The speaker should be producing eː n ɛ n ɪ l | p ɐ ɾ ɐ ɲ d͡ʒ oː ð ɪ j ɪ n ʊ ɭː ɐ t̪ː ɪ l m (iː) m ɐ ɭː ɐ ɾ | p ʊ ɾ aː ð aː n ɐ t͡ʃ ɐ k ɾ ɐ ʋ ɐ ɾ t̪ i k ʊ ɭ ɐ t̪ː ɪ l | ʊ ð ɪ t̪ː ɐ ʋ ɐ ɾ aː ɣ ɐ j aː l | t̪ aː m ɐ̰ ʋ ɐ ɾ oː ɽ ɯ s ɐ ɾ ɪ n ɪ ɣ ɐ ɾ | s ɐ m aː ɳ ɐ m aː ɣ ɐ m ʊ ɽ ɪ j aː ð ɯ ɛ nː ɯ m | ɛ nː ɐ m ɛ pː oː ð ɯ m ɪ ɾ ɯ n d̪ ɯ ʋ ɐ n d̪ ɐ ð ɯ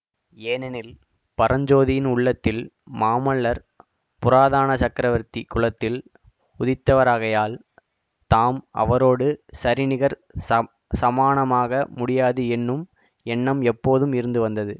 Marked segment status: incorrect: aː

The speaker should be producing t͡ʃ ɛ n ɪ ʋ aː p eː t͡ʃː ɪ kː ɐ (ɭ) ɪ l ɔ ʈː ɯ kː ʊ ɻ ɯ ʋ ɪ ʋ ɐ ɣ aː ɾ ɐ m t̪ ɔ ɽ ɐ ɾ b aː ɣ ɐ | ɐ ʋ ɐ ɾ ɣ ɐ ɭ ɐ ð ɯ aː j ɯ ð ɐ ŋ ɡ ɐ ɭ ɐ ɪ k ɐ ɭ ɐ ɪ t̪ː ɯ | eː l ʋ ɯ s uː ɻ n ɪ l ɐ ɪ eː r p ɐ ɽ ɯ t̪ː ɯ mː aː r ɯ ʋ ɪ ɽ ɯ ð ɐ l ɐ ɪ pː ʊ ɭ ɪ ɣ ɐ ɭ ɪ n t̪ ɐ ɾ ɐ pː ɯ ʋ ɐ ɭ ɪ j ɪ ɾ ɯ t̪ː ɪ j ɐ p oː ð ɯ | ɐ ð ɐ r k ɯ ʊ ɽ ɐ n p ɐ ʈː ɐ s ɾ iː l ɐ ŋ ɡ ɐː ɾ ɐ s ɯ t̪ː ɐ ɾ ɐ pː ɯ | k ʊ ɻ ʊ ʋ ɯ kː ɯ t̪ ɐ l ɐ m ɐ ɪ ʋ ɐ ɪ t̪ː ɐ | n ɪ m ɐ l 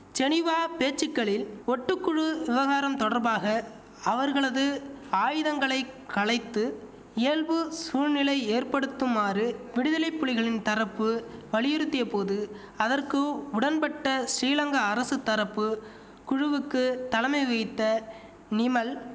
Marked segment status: correct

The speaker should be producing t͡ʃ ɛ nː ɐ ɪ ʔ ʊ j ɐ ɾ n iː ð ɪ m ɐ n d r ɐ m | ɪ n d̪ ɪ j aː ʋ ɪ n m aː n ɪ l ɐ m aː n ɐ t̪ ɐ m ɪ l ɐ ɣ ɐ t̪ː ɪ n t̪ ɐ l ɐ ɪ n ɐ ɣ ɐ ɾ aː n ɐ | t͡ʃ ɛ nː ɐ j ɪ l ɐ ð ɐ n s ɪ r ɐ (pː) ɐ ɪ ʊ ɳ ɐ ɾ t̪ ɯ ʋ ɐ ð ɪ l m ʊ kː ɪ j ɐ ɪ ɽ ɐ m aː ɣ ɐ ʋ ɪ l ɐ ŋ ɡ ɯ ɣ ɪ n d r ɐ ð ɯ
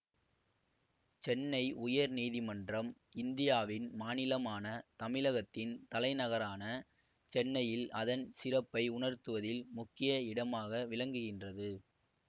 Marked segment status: correct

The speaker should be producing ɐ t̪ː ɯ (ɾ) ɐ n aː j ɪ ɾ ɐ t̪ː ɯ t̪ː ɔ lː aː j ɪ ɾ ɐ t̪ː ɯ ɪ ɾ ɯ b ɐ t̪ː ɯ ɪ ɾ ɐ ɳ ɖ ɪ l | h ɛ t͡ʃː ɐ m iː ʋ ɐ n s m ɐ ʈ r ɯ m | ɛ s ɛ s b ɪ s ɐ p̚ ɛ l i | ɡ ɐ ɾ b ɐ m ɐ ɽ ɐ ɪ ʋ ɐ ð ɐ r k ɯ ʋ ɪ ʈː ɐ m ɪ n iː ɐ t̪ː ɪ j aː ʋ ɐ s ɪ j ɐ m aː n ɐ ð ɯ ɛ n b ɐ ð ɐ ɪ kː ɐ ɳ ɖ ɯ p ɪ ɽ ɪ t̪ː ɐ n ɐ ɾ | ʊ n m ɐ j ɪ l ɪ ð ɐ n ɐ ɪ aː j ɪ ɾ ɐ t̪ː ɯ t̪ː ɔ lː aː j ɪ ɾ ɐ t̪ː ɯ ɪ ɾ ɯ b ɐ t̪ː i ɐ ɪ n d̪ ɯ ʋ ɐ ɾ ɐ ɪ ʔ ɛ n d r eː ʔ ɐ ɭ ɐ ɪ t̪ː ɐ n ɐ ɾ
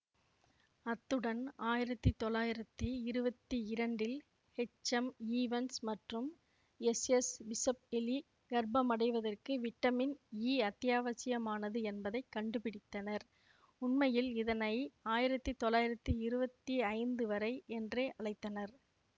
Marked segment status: incorrect: ɽ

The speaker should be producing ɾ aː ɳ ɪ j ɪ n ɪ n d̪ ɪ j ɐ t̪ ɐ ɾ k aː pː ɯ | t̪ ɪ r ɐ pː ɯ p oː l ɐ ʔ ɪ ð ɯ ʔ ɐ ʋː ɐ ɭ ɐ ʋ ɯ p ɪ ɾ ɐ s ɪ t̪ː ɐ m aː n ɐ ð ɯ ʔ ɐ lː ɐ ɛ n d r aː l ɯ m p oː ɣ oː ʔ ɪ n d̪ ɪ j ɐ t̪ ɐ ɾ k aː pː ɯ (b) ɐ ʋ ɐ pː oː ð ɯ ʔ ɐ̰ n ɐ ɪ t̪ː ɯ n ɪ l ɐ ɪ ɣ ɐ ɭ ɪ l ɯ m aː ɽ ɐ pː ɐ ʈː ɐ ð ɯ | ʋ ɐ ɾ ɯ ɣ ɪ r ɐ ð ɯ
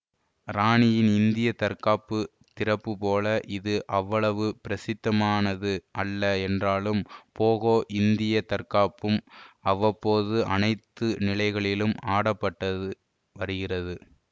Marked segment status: incorrect: m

